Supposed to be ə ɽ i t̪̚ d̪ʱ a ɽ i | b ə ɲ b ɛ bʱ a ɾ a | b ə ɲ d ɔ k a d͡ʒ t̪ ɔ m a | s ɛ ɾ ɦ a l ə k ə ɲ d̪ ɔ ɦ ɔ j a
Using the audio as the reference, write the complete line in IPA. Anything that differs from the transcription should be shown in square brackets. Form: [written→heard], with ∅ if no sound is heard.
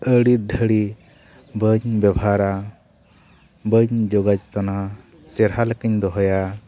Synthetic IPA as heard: ə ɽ i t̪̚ d̪ʱ [a→ə] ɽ i | b ə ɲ b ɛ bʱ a ɾ a | b ə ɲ [d→d͡ʒ] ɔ [k→ɡ] a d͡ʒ t̪ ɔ [m→n] a | s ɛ ɾ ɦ a l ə k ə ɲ d̪ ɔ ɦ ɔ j a